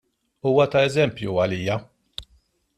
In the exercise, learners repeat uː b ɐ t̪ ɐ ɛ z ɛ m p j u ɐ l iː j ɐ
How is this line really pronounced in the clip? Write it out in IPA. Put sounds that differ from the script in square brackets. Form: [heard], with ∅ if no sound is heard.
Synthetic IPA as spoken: uː [w] ɐ t̪ ɐ ɛ z ɛ m p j u ɐ l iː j ɐ